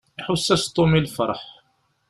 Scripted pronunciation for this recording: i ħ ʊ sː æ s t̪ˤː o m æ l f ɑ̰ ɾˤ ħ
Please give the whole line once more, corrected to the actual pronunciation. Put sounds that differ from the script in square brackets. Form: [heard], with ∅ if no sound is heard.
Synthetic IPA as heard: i ħ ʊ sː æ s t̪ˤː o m [i] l f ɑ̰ ɾˤ ħ